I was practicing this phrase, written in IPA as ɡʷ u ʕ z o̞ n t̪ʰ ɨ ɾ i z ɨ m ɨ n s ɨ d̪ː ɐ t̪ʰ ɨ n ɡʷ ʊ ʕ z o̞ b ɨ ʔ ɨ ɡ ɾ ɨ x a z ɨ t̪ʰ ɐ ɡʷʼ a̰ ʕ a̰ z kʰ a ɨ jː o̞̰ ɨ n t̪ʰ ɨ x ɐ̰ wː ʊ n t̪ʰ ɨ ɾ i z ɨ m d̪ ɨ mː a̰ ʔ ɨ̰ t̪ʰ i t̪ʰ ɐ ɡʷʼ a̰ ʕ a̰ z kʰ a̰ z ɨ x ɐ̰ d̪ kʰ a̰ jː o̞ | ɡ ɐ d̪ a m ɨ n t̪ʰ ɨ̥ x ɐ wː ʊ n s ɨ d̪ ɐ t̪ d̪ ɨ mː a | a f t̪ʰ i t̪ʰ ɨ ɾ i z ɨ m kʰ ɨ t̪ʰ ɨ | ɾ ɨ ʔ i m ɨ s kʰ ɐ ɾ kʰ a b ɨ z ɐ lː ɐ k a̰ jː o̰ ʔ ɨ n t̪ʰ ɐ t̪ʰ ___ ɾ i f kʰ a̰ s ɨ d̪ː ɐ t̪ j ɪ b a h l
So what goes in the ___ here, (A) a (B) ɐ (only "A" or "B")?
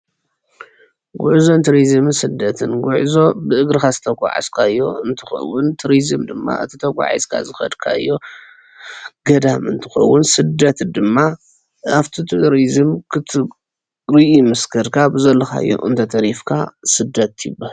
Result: B